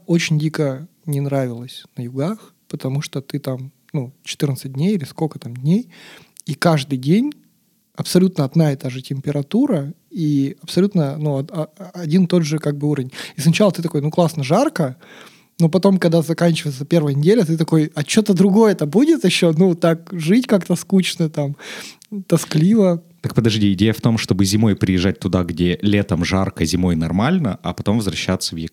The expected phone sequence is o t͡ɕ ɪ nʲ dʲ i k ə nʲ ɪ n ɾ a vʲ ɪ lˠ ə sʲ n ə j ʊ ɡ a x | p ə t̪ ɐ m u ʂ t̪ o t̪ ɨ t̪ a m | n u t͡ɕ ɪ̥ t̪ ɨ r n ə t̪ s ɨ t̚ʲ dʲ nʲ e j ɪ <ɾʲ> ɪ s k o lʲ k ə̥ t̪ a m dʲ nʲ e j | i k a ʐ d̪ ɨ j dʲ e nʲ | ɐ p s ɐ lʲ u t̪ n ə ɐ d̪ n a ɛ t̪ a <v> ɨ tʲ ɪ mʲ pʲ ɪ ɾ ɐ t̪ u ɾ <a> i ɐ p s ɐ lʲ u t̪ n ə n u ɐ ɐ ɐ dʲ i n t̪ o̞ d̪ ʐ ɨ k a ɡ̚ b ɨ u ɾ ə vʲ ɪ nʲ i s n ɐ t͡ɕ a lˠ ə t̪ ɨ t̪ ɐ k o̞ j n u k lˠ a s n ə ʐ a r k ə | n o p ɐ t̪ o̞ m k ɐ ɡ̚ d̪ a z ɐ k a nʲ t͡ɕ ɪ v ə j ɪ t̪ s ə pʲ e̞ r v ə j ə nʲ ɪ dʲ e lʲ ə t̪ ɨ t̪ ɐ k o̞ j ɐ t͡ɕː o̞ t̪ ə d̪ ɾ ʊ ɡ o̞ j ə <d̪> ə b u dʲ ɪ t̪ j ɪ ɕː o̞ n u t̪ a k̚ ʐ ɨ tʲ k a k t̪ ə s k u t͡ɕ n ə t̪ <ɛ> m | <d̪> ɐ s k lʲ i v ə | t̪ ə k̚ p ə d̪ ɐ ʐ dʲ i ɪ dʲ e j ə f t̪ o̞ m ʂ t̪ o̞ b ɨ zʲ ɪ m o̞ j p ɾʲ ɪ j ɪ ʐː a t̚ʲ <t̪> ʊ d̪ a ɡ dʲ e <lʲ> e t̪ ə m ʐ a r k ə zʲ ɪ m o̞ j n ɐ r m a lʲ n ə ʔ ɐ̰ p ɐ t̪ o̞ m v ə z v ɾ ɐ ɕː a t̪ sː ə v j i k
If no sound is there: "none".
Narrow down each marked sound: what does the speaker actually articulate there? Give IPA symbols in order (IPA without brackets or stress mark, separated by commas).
lʲ, ʐ, ə, t̪, a, t̪, t̪, lʲ